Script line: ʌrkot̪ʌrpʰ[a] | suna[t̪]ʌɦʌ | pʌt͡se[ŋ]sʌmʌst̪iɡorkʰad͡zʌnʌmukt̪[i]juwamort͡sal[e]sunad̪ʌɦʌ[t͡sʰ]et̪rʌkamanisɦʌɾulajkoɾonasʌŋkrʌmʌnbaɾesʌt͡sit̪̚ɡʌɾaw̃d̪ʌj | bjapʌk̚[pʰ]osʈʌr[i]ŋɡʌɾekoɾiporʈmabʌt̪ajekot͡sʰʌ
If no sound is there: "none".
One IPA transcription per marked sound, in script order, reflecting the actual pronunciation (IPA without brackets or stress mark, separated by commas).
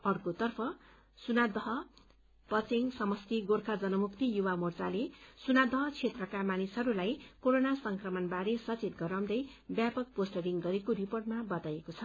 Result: ʌ, d̪, ŋ, i, e, t͡sʰ, p, i